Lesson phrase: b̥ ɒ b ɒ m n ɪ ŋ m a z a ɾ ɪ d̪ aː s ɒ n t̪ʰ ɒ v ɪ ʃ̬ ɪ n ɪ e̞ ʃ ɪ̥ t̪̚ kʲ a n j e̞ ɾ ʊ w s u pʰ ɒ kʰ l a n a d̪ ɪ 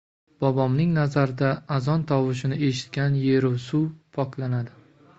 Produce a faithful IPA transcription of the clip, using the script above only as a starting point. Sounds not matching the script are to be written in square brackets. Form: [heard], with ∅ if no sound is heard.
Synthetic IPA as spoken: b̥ ɒ b ɒ m n ɪ ŋ [n] a z a ɾ ɪ d̪ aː [z] ɒ n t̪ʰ ɒ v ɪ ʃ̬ ɪ n ɪ e̞ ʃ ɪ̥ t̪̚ kʲ a n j e̞ ɾ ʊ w s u pʰ ɒ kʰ l a n a d̪ ɪ